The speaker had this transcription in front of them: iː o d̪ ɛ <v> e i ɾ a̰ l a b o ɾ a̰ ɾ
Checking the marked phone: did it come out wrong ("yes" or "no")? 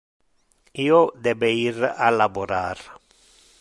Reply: yes